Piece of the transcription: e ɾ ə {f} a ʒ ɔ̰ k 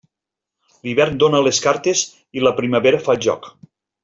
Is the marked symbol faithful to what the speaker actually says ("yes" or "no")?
yes